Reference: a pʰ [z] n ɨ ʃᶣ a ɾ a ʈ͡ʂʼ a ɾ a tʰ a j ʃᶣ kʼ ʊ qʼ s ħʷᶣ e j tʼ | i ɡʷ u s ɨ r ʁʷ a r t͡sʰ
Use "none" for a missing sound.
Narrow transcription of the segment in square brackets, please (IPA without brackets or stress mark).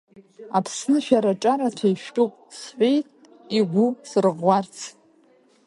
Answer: s